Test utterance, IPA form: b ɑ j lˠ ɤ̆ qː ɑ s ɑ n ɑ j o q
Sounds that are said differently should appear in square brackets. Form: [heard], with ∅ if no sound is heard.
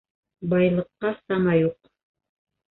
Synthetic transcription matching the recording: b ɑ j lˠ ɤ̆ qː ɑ s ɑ [m] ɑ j [u] q